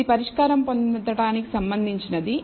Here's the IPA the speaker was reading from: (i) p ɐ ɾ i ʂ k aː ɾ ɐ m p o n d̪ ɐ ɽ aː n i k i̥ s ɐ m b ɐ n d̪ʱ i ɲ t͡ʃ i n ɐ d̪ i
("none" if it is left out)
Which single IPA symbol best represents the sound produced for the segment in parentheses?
i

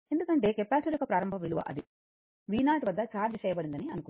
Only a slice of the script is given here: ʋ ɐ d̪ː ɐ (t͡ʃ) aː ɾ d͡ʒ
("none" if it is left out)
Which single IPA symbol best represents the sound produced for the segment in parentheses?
t͡ʃ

